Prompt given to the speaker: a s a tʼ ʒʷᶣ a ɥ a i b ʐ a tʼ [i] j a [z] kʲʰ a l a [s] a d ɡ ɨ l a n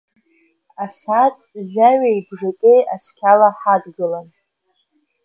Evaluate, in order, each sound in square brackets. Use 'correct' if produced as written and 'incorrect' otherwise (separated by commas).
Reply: incorrect, incorrect, incorrect